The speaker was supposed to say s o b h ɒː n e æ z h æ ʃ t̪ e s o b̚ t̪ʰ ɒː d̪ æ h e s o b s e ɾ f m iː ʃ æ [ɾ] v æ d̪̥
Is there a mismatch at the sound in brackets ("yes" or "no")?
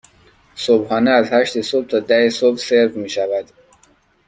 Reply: yes